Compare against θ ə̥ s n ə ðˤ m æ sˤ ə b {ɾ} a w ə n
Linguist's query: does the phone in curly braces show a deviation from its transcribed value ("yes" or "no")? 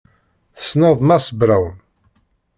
no